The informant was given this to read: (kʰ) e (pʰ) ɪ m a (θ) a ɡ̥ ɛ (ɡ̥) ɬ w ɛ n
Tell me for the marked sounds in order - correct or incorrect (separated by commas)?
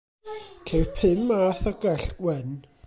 correct, correct, correct, incorrect